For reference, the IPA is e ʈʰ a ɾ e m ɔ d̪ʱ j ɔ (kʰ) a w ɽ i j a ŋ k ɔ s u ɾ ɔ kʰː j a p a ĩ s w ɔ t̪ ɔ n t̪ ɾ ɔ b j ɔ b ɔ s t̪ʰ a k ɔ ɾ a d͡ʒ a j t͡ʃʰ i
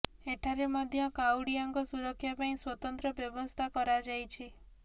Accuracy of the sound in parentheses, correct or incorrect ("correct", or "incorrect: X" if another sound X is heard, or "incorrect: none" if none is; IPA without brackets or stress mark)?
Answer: incorrect: k